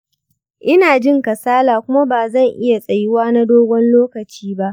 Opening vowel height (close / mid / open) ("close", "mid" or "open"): close